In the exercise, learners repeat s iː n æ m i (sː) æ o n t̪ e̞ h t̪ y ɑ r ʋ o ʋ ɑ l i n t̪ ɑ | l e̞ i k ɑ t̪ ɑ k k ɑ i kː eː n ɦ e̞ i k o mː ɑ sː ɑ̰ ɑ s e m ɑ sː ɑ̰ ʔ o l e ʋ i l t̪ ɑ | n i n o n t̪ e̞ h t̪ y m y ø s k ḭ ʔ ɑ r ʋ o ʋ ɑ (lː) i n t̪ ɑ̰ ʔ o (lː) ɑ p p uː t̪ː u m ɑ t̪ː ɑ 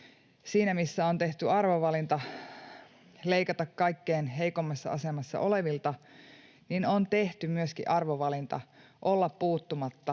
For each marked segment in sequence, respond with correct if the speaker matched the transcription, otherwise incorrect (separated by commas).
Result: correct, incorrect, correct